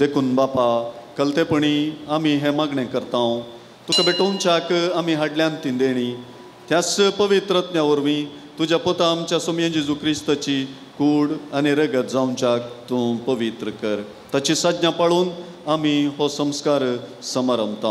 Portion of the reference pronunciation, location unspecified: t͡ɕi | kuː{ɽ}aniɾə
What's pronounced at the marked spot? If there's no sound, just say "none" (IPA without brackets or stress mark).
ɽ